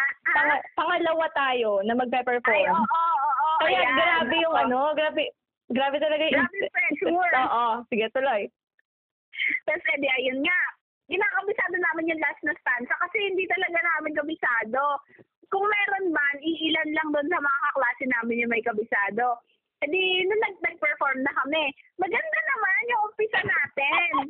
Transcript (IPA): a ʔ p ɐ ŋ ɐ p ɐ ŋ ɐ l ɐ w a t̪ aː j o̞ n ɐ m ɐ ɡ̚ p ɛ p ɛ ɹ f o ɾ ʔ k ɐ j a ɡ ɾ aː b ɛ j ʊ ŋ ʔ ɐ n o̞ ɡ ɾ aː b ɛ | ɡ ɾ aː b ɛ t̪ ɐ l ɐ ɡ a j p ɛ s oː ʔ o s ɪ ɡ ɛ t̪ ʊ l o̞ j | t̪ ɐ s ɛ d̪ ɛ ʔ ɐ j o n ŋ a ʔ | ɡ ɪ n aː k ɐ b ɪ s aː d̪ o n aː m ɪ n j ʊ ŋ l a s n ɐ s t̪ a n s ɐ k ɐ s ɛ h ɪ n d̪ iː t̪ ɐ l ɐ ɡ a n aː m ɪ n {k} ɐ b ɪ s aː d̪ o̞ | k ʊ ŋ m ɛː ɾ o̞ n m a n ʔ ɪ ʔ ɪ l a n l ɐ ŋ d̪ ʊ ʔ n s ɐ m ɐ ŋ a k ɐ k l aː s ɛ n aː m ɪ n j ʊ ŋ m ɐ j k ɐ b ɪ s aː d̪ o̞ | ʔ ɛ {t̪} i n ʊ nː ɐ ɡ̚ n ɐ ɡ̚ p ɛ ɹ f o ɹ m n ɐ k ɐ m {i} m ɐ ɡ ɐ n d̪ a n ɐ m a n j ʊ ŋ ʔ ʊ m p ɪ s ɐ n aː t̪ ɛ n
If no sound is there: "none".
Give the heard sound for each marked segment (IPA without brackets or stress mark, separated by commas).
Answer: k, d̪, ɛ